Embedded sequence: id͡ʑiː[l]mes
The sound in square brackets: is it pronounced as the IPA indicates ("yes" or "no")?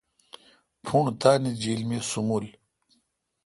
yes